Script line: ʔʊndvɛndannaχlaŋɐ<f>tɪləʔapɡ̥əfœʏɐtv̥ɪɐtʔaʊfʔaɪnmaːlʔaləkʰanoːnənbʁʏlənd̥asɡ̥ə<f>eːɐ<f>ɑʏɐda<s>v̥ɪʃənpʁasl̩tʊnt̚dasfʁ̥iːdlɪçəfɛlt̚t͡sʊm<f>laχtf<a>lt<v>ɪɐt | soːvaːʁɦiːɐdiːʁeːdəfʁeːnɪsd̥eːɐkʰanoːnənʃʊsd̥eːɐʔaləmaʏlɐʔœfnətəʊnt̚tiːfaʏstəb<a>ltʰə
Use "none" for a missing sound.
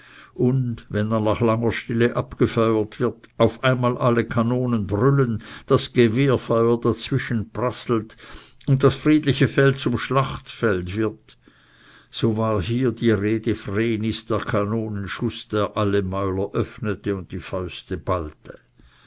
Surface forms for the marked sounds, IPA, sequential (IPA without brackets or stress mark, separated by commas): ʃ, v, f, t͡s, ʃ, ɛ, v, a